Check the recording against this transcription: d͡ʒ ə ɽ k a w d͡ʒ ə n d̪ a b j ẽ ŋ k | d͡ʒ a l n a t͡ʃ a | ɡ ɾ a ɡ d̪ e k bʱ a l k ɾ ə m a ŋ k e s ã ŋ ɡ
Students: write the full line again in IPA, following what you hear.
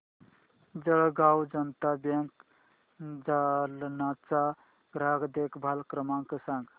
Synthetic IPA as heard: d͡ʒ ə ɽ ɡ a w d͡ʒ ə n t̪ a b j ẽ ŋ k | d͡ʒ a l n a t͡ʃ a | ɡ ɾ a ɡ d̪ e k bʱ a l k ɾ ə m a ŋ k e s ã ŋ ɡ